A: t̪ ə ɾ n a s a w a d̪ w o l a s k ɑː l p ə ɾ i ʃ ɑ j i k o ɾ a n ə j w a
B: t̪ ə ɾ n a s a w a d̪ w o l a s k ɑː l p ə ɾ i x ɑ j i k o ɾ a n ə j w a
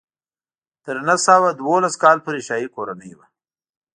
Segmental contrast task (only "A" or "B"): A